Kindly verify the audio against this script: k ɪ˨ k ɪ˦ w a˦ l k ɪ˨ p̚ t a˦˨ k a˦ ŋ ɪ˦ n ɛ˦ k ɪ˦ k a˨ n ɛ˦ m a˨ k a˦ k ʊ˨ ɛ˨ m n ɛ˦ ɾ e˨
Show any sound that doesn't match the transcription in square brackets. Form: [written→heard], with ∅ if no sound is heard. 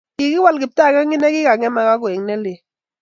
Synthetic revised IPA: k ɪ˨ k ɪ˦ w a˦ l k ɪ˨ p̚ t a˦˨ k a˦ ŋ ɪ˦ n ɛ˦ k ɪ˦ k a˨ [n→ŋ] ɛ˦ m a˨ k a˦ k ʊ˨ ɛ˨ [m→ŋ] n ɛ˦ [ɾ→l] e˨